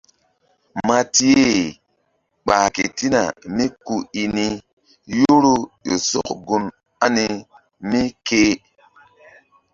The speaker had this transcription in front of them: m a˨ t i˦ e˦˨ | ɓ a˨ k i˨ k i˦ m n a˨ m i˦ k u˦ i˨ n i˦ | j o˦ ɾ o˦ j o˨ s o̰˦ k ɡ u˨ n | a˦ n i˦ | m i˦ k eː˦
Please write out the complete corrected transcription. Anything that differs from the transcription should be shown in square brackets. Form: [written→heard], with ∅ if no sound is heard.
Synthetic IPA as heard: m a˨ t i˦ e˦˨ | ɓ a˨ k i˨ [k→t] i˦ [m→∅] n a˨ m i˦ k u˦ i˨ n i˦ | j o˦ ɾ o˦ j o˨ s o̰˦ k ɡ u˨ n | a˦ n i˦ | m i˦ k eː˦